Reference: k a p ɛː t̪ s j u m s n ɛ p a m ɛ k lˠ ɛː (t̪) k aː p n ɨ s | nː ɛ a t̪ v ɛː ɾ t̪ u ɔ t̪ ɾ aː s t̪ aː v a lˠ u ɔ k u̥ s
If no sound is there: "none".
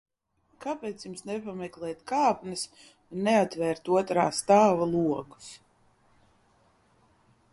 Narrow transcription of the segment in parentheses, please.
t̪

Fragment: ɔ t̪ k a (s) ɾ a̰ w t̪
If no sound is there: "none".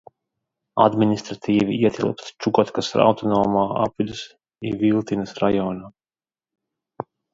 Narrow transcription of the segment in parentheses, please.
s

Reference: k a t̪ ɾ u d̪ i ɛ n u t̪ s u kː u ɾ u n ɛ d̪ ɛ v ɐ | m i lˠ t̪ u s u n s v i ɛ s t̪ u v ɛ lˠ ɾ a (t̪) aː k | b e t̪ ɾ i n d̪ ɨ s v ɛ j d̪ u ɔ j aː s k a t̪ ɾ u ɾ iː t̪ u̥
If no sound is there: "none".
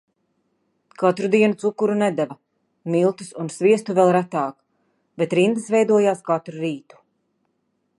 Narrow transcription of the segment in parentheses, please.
t̪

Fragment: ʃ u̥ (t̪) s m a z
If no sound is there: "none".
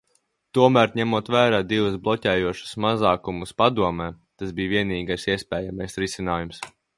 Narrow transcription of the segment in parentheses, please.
none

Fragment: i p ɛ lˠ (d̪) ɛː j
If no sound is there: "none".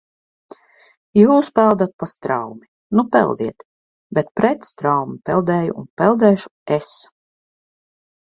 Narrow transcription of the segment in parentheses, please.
d̪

